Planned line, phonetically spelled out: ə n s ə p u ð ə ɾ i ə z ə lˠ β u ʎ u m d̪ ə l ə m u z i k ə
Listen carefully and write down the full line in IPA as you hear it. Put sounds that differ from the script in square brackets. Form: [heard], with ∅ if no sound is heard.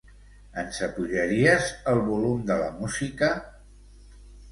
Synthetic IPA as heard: ə n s ə p u [ʒ] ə ɾ i ə z ə lˠ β u [l] u m d̪ ə l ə m u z i k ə